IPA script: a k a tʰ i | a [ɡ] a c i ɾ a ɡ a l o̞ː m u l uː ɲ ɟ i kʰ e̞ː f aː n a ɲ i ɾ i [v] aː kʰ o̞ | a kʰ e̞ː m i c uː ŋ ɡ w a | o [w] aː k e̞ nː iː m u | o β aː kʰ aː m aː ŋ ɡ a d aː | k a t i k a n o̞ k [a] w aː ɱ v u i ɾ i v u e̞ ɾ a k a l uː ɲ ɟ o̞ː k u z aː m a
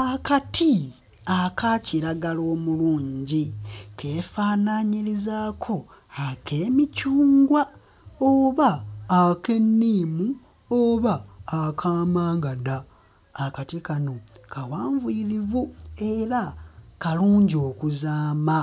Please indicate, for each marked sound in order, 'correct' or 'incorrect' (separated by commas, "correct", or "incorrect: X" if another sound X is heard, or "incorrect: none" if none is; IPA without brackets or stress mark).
incorrect: k, incorrect: z, incorrect: β, correct